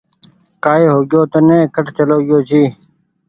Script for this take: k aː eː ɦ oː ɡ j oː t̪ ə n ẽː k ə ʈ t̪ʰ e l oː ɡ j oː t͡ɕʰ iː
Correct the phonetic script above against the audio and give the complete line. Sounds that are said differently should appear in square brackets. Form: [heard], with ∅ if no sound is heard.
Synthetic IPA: k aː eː ɦ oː ɡ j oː t̪ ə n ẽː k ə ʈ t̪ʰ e l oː ɡ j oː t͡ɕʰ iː